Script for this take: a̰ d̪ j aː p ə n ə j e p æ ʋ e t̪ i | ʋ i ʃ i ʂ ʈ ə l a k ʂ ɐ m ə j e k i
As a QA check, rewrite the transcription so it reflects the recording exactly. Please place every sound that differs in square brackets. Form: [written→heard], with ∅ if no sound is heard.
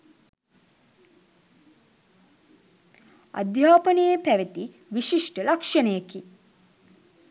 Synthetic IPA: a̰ d̪ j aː p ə n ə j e p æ ʋ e t̪ i | ʋ i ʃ i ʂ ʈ ə l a k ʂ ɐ [m→n] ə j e k i